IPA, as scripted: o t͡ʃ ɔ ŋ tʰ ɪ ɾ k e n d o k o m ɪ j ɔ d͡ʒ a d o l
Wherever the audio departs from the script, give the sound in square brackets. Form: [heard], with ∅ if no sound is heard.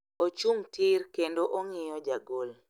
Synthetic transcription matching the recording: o t͡ʃ [u] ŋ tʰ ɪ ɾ k e n d o [ʔ] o [ŋ] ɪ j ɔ d͡ʒ a [ɡ] o l